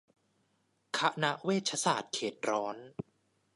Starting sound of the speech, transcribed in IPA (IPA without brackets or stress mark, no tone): kʰ